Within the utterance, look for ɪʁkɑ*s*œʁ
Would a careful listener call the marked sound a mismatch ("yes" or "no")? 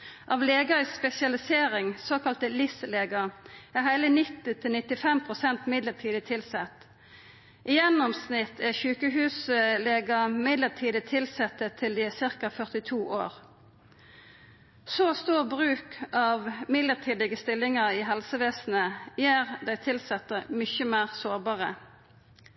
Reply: yes